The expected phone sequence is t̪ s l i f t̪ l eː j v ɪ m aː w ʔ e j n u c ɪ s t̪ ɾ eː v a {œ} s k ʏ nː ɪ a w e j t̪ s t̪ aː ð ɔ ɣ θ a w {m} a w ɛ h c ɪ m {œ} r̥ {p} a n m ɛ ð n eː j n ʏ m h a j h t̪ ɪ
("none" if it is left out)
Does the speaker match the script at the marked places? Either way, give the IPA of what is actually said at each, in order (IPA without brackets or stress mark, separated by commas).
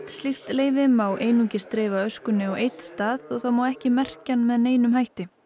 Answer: œ, m, ɛ, c